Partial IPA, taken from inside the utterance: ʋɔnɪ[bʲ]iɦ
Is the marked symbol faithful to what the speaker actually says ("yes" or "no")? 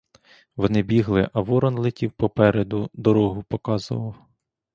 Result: yes